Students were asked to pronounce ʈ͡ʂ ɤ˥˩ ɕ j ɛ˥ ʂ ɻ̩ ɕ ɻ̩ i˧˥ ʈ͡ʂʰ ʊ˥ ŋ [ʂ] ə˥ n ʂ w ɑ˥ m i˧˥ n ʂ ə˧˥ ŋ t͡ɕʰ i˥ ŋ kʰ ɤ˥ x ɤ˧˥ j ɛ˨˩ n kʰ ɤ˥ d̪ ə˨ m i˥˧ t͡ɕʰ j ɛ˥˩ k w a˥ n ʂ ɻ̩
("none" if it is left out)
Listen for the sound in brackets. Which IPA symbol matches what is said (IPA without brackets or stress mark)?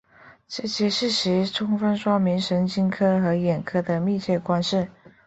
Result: f